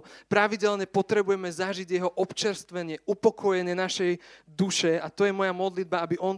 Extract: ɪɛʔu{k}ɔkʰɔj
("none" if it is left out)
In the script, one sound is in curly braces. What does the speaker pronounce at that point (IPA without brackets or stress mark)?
p